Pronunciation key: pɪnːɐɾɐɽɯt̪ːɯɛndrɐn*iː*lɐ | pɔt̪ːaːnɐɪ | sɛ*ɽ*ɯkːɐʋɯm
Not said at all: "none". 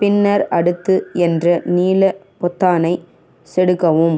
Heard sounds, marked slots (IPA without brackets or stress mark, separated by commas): iː, ɽ